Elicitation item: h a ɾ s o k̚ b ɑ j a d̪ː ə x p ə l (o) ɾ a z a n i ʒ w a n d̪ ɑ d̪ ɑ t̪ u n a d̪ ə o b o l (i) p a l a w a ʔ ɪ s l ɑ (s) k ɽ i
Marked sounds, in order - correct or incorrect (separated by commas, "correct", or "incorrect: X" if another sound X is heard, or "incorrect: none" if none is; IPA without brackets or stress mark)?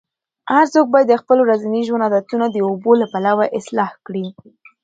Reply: correct, incorrect: a, incorrect: h